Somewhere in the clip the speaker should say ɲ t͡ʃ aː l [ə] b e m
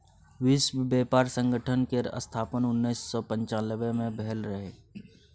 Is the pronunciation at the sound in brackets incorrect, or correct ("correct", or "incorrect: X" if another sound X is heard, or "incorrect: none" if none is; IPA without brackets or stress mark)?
correct